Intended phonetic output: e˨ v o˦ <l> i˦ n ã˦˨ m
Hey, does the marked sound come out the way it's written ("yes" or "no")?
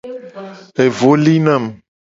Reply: yes